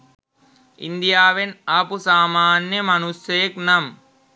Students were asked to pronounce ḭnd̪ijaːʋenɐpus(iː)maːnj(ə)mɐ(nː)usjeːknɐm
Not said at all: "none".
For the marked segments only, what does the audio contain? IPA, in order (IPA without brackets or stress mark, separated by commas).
aː, ɐ, n